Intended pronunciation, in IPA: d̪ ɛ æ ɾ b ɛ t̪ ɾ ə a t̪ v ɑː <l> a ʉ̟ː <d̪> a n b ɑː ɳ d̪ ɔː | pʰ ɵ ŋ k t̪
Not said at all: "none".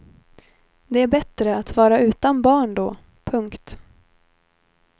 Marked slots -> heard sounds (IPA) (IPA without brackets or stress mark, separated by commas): ɾ, t̪